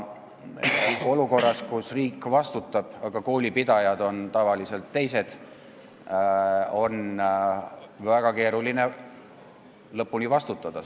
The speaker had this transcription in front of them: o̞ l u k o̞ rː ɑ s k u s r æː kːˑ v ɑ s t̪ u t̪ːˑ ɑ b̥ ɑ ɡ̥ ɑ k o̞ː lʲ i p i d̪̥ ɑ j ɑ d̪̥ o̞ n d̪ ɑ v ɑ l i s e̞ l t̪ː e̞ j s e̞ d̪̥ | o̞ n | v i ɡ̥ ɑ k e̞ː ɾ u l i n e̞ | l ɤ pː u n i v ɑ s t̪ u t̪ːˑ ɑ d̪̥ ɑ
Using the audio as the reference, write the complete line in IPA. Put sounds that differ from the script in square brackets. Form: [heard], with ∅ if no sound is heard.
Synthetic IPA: o̞ l u k o̞ rː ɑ s k u s r [iː] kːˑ v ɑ s t̪ u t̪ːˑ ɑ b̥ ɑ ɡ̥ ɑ k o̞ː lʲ i p i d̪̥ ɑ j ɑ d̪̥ o̞ n [t̪] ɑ v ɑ l i s e̞ l t̪ː e̞ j s e̞ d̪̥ | o̞ n | v [æ] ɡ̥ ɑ k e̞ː ɾ u l i n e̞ | l ɤ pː u n i v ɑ s t̪ u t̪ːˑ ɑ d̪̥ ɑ